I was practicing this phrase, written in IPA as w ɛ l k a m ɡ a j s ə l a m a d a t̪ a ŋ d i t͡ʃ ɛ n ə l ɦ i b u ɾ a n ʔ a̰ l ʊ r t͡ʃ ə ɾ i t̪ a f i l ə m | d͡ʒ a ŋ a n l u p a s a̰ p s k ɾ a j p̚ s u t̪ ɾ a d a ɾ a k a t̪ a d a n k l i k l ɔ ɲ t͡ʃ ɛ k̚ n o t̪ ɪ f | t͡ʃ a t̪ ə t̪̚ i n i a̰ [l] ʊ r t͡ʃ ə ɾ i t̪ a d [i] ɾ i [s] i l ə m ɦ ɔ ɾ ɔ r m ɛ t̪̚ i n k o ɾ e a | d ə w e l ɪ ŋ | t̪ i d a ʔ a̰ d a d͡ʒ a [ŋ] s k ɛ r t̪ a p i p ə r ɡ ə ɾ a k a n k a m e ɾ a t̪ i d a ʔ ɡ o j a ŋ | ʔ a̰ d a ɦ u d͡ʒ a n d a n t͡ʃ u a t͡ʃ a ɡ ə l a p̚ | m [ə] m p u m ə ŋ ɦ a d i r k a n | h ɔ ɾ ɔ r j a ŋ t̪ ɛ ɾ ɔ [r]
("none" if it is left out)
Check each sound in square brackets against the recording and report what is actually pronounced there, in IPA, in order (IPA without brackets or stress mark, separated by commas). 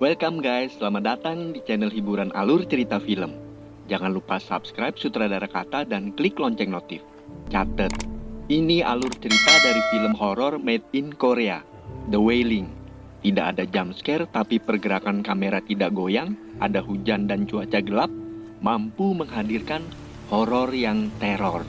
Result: l, a, f, m, a, r